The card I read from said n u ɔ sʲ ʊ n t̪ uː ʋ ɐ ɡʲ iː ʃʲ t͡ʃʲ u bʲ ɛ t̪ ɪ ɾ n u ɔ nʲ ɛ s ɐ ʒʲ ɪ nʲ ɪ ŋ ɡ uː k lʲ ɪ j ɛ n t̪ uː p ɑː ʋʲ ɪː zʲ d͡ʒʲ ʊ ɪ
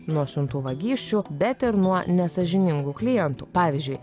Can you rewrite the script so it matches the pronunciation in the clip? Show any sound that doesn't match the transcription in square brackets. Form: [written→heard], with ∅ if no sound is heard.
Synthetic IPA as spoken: n u ɔ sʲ ʊ n t̪ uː ʋ ɐ ɡʲ iː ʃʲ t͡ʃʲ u bʲ ɛ t̪ ɪ ɾ n u ɔ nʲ ɛ s ɐ ʒʲ ɪ nʲ ɪ ŋ ɡ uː k lʲ ɪ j ɛ n t̪ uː p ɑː ʋʲ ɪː zʲ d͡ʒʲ ʊ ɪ